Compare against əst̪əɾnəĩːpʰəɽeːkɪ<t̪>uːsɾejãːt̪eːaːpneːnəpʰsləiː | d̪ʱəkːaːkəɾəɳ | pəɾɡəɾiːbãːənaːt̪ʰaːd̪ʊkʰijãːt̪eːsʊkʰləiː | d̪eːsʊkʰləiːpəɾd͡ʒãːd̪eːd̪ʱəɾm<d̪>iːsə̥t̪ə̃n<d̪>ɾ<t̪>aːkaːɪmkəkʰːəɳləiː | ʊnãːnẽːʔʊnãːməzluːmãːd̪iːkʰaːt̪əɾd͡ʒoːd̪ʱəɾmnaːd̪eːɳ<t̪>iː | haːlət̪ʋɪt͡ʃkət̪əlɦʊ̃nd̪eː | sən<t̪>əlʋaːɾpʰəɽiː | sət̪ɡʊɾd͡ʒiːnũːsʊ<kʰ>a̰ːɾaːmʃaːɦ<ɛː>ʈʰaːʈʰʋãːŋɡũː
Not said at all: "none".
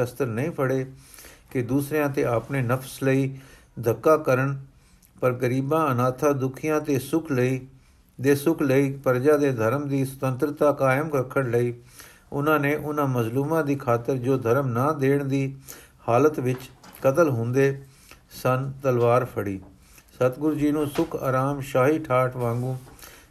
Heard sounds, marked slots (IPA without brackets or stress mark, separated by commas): d̪, d̪, t̪, t̪, d̪, t̪, kʰ, iː